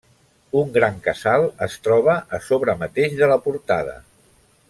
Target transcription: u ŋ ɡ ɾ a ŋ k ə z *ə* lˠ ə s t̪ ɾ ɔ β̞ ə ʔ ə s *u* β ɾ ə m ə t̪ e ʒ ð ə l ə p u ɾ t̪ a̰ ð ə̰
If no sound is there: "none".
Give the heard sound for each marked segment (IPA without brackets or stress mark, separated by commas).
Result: a, o